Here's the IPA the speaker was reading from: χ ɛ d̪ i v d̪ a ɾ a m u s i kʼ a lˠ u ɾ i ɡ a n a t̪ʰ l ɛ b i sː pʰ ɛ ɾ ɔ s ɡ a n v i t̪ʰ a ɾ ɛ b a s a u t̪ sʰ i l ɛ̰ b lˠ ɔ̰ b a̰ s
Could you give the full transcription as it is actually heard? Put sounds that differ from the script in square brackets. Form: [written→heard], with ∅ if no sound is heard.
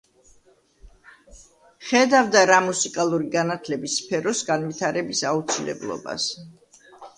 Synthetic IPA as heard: χ ɛ d̪ [i→a] v d̪ a ɾ a m u s i kʼ a lˠ u ɾ i ɡ a n a t̪ʰ l ɛ b i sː pʰ ɛ ɾ ɔ s ɡ a n v i t̪ʰ a ɾ ɛ b [a→i] s a u t̪ sʰ i l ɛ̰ b lˠ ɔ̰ b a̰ s

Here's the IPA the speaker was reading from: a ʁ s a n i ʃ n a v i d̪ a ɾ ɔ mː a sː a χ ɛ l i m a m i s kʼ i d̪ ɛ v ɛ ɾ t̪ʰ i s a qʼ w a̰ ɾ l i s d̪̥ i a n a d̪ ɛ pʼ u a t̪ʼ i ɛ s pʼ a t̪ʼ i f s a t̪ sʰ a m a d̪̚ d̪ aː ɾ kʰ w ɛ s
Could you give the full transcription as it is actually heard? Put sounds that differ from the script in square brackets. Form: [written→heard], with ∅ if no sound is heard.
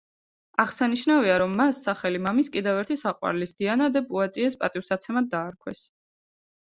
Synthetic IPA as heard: a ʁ s a n i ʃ n a v i [d̪→∅] a ɾ ɔ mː a sː a χ ɛ l i m a m i s kʼ i d̪ ɛ v ɛ ɾ t̪ʰ i s a qʼ w a̰ ɾ l i s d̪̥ i a n a d̪ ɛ pʼ u a t̪ʼ i ɛ s pʼ a t̪ʼ i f s a t̪ sʰ [a→ɛ] m a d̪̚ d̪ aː ɾ kʰ w ɛ s

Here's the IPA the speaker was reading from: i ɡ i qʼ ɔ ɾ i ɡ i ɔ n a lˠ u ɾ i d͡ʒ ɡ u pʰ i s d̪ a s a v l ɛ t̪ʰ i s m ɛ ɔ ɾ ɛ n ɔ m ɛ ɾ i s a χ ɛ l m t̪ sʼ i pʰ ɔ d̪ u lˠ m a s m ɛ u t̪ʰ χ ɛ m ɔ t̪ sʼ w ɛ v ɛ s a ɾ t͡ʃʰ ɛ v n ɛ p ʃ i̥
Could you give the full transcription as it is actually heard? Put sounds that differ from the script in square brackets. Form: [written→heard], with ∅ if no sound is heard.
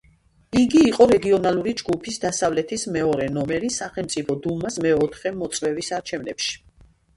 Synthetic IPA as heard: i ɡ [i→iː] qʼ ɔ ɾ [i→ɛ] ɡ i ɔ n a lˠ u ɾ i d͡ʒ ɡ u pʰ i s d̪ a s a v l ɛ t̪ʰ i s m ɛ ɔ ɾ ɛ n ɔ m ɛ ɾ i s a χ ɛ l m t̪ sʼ i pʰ ɔ d̪ u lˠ m a s m ɛ [u→ɔ] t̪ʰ χ ɛ m ɔ t̪ sʼ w ɛ v [ɛ→i] s a ɾ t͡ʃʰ ɛ v n ɛ p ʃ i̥

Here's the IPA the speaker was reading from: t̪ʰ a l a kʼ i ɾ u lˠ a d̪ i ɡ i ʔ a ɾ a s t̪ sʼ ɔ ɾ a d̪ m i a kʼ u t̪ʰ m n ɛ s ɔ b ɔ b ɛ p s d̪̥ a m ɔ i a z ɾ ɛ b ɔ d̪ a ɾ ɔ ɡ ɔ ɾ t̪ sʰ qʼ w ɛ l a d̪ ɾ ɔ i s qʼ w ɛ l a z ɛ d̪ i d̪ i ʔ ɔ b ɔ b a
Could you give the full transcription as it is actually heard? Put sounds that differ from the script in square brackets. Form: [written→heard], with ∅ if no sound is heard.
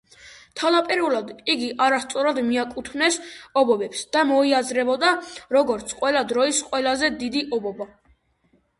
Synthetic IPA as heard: t̪ʰ a l a [kʼ→pʼ] i ɾ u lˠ a d̪ i ɡ i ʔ a ɾ a s t̪ sʼ ɔ ɾ a d̪ m i a kʼ u t̪ʰ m n ɛ s ɔ b ɔ b ɛ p s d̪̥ a m ɔ i a z ɾ ɛ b ɔ d̪ a ɾ ɔ ɡ ɔ ɾ t̪ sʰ qʼ w ɛ l a d̪ ɾ ɔ i s qʼ w ɛ l a z ɛ d̪ i d̪ i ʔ ɔ b ɔ b a

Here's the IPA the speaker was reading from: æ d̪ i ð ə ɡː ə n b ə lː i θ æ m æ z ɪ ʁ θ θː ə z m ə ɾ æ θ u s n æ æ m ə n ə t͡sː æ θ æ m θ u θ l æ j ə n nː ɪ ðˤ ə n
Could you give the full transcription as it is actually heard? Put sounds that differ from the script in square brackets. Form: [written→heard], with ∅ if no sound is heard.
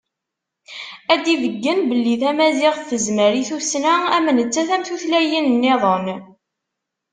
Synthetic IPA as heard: æ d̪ i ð ə ɡː ə n b ə lː i θ æ m æ z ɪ ʁ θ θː ə z m ə ɾ [æ→i] θ u s n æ æ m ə n ə t͡sː æ θ æ m θ u θ l æ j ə n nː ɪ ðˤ ə n

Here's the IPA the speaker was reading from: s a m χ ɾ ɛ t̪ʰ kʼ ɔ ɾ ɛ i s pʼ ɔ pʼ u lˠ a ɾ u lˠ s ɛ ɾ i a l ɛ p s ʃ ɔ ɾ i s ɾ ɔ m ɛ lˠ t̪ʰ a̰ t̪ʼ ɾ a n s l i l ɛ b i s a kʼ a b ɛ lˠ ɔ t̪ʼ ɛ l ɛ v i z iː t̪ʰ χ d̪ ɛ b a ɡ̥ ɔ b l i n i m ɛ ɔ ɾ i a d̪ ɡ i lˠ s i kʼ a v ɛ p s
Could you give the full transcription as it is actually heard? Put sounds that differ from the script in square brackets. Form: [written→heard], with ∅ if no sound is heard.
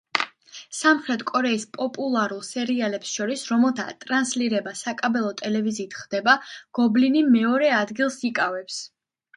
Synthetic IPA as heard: s a m χ ɾ ɛ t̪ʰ kʼ ɔ ɾ ɛ i s pʼ ɔ pʼ u lˠ a ɾ u lˠ s ɛ ɾ i a l ɛ p s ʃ ɔ ɾ i s ɾ ɔ m ɛ lˠ t̪ʰ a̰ t̪ʼ ɾ a n s l i [l→ɾ] ɛ b [i→a] s a kʼ a b ɛ lˠ ɔ t̪ʼ ɛ l ɛ v i z iː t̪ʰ χ d̪ ɛ b a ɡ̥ ɔ b l i n i m ɛ ɔ ɾ [i→ɛ] a d̪ ɡ i lˠ s i kʼ a v ɛ p s

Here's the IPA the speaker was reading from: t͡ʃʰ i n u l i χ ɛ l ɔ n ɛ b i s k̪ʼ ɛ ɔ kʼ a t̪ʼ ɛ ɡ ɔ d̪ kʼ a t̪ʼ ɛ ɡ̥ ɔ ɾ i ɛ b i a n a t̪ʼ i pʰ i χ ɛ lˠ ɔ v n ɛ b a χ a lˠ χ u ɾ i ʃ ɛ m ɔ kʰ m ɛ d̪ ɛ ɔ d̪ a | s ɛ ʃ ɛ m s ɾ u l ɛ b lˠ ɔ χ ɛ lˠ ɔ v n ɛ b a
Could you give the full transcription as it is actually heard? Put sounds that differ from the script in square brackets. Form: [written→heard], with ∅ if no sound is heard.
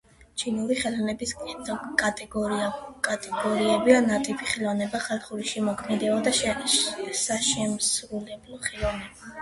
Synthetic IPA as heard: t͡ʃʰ i n u [l→ɾ] i χ ɛ l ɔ n ɛ b i s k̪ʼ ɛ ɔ kʼ a t̪ʼ ɛ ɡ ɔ [d̪→∅] kʼ a t̪ʼ ɛ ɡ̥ ɔ ɾ i ɛ b i a n a t̪ʼ i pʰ i χ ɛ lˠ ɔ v n ɛ b a χ a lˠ χ u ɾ i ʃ ɛ m ɔ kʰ m ɛ d̪ ɛ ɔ d̪ a | s [ɛ→a] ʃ ɛ m s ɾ u l ɛ b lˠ ɔ χ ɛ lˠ ɔ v n ɛ b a

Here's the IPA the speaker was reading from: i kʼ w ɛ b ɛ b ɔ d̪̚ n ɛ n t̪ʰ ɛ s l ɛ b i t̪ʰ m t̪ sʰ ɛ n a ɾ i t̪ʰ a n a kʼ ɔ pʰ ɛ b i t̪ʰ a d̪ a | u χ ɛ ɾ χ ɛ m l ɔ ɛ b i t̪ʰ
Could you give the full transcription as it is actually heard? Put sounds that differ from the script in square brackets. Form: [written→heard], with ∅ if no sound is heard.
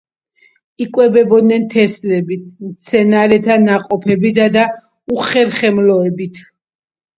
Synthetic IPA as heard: i kʼ w ɛ b ɛ b ɔ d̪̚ n ɛ n t̪ʰ ɛ s l ɛ b i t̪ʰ m t̪ sʰ ɛ n a ɾ [i→ɛ] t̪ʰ a n a [kʼ→qʼ] ɔ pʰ ɛ b i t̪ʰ a d̪ a | u χ ɛ ɾ χ ɛ m l ɔ ɛ b i t̪ʰ

